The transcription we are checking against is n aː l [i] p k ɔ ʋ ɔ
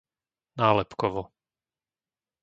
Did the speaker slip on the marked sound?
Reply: yes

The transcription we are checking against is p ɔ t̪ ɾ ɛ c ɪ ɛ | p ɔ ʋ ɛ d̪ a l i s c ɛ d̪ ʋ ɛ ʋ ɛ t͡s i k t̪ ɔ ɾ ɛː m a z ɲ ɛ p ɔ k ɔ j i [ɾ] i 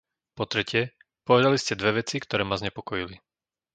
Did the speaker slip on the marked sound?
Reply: yes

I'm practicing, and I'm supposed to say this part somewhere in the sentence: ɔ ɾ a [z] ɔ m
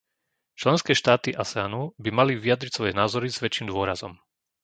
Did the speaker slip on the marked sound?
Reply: no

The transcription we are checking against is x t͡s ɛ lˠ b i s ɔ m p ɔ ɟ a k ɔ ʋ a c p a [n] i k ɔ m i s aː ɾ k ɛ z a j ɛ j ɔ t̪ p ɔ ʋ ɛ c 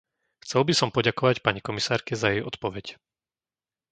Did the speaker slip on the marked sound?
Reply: yes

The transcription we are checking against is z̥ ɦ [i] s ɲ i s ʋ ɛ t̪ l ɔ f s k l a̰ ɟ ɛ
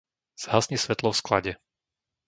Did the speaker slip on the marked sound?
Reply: yes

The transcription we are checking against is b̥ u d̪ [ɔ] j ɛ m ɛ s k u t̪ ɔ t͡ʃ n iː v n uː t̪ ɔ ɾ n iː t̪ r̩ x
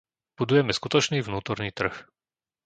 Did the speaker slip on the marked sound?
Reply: yes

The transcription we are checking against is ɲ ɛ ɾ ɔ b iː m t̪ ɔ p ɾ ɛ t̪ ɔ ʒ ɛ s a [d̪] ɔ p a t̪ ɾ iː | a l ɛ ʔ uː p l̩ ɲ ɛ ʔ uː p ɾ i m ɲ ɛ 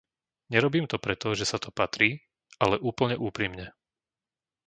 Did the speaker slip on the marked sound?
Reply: yes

